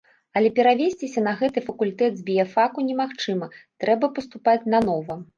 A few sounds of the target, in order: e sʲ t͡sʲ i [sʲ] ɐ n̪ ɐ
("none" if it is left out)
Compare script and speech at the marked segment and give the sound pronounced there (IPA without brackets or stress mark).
sʲ